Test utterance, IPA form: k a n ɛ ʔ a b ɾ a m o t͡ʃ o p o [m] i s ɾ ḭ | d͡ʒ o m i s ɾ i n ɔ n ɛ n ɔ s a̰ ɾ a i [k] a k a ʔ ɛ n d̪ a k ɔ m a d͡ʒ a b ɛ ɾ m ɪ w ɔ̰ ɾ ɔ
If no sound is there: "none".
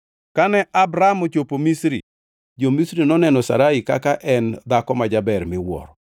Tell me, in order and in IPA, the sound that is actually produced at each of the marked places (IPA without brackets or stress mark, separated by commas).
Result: m, k